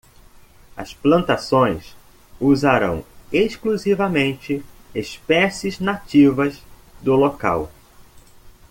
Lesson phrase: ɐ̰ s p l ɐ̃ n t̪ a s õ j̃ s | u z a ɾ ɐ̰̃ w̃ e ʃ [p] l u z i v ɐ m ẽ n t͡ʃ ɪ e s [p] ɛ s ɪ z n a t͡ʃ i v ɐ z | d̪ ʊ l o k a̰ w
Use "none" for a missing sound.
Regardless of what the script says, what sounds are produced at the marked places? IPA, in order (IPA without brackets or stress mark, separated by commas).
k, p